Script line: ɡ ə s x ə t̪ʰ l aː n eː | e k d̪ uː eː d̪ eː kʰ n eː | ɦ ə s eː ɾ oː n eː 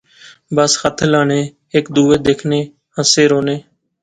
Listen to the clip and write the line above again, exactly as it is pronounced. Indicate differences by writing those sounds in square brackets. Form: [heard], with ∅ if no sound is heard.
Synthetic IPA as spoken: [b] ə s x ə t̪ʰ l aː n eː | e k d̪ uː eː d̪ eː kʰ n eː | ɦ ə s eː ɾ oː n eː